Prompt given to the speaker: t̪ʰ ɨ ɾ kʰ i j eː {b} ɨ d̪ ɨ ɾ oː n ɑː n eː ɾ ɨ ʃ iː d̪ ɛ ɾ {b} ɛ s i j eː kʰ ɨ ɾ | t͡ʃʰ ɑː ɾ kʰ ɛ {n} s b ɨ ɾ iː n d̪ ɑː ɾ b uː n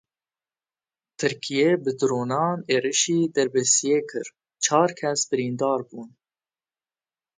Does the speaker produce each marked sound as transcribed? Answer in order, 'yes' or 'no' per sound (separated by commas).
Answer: yes, yes, no